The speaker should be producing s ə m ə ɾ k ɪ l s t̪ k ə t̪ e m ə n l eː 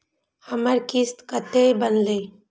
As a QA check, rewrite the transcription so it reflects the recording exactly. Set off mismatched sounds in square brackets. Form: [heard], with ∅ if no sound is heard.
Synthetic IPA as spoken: [h] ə m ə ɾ k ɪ [∅] s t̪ k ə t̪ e [b] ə n l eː